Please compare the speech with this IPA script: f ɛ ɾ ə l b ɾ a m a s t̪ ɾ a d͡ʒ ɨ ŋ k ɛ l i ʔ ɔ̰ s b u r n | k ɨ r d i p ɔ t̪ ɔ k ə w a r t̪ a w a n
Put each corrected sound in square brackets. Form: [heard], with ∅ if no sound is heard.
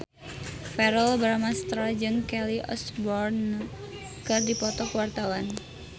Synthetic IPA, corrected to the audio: f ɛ ɾ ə l b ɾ a m a s t̪ ɾ a d͡ʒ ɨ ŋ k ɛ l i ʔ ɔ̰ s b [ɔ] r n | k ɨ r d i p ɔ t̪ ɔ k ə w a r t̪ a w a n